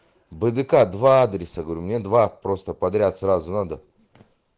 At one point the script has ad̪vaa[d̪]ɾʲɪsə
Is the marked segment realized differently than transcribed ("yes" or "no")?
no